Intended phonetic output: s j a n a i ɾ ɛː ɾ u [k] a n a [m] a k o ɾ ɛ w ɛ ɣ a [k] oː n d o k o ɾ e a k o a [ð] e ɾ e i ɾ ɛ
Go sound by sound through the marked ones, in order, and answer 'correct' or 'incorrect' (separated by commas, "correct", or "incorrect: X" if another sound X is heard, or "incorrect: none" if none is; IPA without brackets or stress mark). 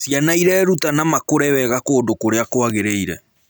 incorrect: t, correct, correct, incorrect: ɣ